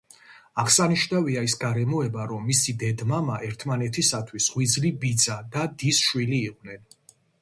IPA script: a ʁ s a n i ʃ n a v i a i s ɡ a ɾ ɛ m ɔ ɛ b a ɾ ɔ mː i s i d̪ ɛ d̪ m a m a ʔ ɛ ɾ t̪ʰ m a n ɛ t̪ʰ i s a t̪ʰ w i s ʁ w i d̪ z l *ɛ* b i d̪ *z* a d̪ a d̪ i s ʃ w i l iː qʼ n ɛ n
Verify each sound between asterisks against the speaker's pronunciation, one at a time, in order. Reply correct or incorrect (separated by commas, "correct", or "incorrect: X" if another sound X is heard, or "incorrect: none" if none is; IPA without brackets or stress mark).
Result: incorrect: i, correct